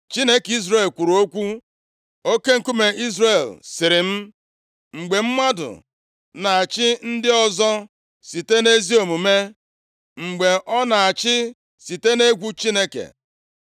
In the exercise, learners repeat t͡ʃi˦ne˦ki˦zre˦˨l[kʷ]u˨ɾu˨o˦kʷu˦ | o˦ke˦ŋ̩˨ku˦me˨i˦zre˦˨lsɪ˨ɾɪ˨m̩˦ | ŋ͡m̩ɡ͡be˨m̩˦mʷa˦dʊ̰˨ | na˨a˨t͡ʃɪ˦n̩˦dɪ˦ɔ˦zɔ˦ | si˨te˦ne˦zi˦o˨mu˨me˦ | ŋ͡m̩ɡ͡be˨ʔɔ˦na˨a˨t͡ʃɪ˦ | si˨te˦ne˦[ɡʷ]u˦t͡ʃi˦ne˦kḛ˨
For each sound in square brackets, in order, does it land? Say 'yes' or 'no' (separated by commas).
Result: yes, yes